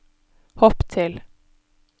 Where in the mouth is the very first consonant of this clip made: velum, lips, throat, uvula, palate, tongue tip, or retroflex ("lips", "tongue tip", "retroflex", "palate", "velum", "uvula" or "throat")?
throat